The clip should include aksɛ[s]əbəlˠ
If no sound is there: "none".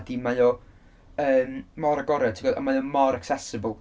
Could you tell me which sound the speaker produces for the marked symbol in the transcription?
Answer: s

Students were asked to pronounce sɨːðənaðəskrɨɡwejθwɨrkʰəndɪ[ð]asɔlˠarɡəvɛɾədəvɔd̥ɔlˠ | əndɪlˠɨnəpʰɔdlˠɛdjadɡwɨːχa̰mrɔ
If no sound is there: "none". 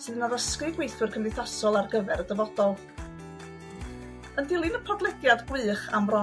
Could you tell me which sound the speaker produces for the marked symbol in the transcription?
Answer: θ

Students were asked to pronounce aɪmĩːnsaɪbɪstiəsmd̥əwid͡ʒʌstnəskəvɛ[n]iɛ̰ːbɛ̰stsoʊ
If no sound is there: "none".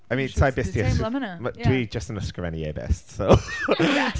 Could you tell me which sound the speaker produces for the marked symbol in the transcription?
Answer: n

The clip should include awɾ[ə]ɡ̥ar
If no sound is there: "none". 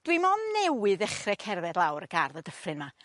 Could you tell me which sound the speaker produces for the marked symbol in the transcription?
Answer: ə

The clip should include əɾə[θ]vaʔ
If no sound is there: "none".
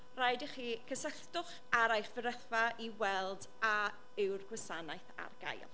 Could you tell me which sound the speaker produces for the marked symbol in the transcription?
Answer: θ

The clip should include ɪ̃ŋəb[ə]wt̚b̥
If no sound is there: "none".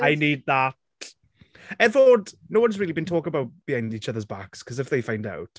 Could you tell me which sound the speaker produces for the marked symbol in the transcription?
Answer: a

